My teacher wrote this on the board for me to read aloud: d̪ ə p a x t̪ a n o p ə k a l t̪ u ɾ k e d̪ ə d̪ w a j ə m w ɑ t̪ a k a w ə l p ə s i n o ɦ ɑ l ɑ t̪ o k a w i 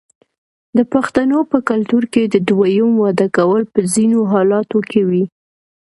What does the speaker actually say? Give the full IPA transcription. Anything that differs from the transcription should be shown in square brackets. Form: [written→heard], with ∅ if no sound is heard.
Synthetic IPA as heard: d̪ ə p a x t̪ a n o p ə k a l t̪ u ɾ k e d̪ ə d̪ w a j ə m w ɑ [t̪→d̪] a k a w ə l p ə [s→z] i n o ɦ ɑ l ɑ t̪ o k [a→e] w i